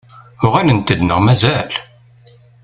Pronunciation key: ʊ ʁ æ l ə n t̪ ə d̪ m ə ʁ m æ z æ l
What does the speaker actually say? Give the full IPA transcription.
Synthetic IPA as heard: ʊ ʁ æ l ə n t̪ ə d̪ n ə ʁ m æ z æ l

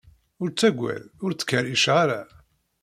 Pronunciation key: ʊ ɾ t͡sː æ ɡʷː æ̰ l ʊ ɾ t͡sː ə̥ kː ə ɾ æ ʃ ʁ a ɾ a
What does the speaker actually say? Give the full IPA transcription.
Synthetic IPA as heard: ʊ ɾ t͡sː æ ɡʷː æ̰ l ʊ ɾ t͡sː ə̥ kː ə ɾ i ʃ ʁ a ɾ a

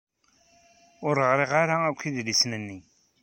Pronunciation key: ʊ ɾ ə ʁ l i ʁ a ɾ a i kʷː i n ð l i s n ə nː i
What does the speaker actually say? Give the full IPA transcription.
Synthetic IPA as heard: ʊ ɾ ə ʁ ɾ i ʁ a ɾ a æ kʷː i ð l i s n ə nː i

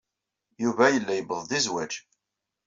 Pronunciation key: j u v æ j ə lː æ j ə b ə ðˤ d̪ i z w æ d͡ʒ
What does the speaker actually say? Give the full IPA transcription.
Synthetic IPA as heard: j u v æ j ə lː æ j ə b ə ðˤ d̪ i z w æ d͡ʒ

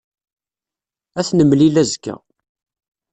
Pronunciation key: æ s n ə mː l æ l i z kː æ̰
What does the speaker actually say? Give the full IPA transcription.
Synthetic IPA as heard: æ θ n ə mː l i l æ z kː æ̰

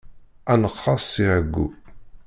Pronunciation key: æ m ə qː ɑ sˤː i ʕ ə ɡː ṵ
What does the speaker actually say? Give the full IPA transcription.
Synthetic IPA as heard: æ n ə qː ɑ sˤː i ʕ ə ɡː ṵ

